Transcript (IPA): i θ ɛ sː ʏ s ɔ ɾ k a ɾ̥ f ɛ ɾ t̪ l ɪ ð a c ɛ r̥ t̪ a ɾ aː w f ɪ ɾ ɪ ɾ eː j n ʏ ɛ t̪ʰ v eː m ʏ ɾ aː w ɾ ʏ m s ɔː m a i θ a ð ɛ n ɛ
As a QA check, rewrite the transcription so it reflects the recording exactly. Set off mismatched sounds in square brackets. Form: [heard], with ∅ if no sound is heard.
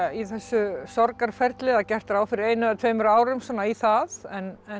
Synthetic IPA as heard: i θ ɛ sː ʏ s ɔ ɾ k a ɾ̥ f ɛ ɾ t̪ l ɪ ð a c ɛ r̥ t̪ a ɾ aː w f ɪ ɾ ɪ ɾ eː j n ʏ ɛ t̪ʰ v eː m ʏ ɾ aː w ɾ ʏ m s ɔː [n] a i θ a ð ɛ n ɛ